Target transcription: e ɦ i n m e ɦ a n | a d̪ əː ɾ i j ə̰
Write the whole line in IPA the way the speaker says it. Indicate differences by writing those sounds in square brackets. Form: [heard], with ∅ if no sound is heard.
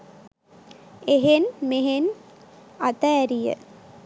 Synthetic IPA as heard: e ɦ [e] n m e ɦ [e] n | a [t̪] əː ɾ i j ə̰